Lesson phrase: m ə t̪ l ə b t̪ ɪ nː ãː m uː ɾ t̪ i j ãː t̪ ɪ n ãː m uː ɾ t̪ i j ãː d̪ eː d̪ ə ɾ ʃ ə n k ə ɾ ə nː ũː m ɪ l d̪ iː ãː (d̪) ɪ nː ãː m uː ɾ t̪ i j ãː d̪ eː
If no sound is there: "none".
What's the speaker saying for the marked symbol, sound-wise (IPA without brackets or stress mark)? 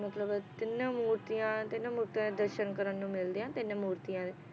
t̪